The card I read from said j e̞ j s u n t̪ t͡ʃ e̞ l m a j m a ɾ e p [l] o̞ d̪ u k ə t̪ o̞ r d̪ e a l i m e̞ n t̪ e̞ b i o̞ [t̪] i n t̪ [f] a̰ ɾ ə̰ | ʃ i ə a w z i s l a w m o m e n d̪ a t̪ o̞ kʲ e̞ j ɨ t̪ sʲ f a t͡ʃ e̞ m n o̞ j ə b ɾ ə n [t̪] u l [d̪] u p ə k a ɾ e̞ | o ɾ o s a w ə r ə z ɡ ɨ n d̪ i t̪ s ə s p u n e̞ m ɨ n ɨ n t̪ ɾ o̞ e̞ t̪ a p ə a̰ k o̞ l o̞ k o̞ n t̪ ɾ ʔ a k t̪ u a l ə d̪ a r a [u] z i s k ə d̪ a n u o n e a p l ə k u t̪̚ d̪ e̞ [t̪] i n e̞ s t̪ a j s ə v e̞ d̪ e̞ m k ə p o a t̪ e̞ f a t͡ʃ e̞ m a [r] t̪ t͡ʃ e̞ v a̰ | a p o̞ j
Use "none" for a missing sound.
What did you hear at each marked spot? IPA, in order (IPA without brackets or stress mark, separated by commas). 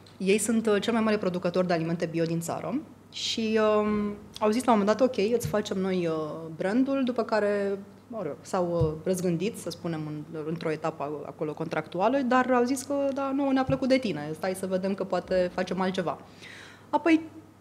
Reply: ɾ, d̪, s, d̪, d̪, w, t̪, l